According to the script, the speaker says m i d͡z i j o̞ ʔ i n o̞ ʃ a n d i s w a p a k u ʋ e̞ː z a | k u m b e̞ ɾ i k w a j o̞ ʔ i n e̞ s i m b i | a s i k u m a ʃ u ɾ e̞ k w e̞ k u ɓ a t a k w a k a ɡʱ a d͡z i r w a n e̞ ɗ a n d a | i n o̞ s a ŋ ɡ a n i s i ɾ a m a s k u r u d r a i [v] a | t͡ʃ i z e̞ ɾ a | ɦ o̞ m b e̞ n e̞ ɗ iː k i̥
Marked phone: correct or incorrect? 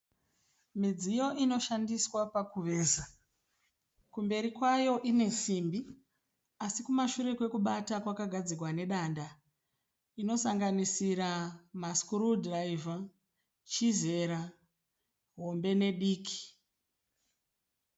correct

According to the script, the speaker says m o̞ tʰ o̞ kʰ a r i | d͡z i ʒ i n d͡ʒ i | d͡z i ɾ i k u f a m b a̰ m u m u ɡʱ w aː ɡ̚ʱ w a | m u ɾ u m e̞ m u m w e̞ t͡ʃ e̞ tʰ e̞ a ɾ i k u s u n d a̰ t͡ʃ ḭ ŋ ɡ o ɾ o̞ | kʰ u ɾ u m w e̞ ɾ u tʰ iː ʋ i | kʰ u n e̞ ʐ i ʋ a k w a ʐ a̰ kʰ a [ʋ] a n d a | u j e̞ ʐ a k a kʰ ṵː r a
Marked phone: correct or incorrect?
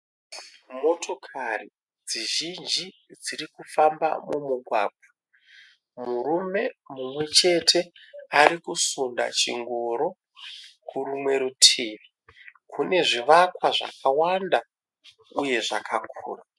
incorrect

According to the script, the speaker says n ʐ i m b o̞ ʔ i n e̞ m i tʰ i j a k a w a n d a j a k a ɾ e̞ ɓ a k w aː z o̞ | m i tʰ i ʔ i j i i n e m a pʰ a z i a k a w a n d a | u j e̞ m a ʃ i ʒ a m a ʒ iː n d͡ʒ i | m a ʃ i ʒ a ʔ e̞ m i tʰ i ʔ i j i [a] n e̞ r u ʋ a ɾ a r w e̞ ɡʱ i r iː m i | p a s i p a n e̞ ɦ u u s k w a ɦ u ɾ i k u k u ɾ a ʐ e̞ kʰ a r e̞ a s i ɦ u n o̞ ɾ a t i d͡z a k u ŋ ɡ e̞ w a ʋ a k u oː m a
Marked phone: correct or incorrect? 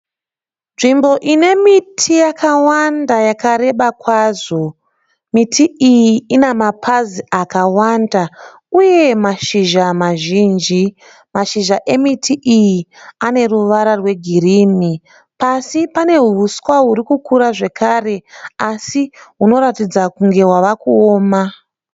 correct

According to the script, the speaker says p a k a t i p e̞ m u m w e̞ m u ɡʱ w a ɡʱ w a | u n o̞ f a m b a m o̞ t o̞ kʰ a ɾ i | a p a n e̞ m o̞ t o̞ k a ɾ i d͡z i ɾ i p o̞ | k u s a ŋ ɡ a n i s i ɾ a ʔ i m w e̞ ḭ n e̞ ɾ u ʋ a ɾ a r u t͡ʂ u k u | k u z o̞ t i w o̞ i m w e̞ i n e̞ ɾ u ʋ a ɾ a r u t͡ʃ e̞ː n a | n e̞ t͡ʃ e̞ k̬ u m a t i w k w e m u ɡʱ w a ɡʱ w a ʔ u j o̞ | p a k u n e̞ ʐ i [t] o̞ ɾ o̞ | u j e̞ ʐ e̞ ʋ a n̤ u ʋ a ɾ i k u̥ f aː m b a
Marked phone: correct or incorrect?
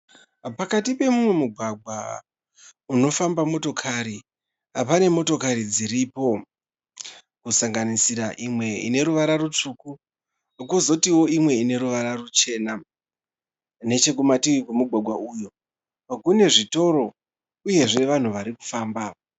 correct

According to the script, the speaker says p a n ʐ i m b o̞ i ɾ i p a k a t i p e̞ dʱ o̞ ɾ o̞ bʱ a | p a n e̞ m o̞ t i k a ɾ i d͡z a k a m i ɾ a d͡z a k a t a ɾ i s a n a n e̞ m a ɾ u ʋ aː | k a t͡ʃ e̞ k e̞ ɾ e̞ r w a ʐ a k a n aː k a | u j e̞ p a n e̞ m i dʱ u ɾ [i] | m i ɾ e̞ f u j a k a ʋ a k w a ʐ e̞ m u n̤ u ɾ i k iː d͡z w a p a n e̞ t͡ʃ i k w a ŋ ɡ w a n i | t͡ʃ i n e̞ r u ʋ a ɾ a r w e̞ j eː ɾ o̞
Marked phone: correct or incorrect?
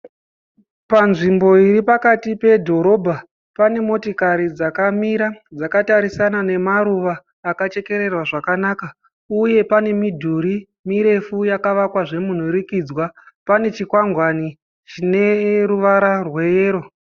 correct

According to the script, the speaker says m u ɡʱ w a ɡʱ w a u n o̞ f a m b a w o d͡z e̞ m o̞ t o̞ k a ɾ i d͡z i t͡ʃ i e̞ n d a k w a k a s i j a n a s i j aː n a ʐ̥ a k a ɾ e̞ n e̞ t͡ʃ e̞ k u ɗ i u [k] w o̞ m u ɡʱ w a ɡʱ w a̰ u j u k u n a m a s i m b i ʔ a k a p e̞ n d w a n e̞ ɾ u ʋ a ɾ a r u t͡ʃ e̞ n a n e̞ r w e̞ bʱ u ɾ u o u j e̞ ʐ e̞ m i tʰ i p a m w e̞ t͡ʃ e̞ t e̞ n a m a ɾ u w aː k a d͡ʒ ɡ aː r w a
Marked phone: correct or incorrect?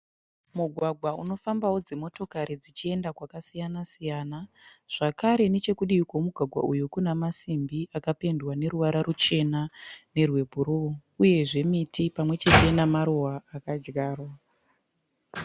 correct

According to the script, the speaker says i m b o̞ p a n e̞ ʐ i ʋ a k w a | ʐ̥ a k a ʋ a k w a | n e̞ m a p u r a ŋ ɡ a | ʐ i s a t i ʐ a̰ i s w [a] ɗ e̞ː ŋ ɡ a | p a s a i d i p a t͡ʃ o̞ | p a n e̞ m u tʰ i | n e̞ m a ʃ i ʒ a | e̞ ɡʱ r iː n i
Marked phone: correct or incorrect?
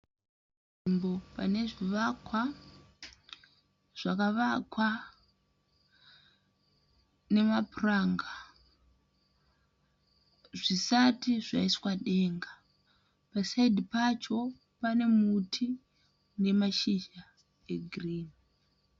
correct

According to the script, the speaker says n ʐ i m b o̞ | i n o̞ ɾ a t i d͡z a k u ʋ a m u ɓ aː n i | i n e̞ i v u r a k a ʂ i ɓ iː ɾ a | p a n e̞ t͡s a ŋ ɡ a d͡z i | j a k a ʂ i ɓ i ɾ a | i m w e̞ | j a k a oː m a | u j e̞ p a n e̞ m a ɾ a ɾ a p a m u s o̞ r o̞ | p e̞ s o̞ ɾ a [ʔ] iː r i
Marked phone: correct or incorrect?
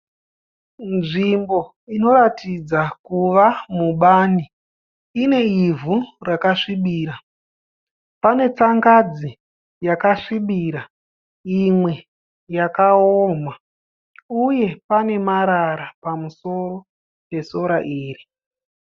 correct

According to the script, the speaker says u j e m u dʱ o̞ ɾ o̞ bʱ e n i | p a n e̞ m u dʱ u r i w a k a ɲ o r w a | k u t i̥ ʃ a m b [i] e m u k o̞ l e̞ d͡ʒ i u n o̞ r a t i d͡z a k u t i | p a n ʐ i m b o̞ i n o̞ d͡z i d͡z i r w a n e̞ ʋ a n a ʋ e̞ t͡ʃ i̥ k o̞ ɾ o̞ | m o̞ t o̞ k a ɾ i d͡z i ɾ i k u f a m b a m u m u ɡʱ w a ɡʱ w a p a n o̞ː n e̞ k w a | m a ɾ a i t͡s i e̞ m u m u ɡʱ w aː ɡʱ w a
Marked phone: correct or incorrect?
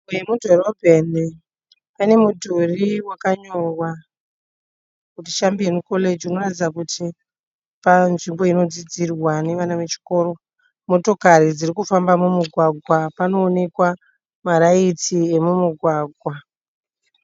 correct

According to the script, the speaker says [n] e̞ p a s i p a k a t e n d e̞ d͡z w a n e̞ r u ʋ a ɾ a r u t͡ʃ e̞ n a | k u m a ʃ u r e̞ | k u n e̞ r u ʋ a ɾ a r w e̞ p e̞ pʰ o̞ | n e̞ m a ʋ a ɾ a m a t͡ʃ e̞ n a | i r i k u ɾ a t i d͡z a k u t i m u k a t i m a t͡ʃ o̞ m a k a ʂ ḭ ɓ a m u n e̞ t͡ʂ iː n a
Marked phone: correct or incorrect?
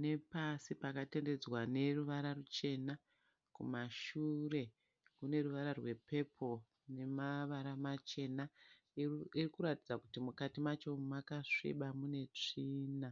correct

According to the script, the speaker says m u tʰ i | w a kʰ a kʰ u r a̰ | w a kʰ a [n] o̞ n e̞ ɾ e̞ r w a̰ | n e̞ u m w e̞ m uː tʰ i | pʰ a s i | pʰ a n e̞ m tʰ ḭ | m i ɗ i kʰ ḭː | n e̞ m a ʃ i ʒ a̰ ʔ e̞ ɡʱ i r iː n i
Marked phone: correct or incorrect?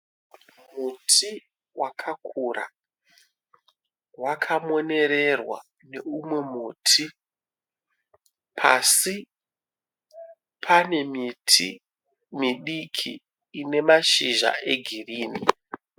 incorrect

